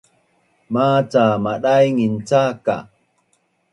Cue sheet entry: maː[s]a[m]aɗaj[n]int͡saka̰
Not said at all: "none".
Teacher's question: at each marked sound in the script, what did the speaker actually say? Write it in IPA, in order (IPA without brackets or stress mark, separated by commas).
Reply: t͡s, m, ŋ